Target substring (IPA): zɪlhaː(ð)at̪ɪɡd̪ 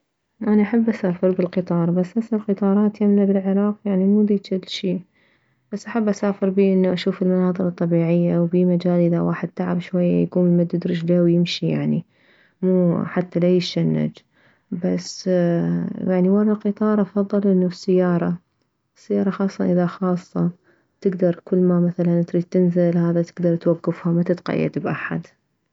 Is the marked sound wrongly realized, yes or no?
no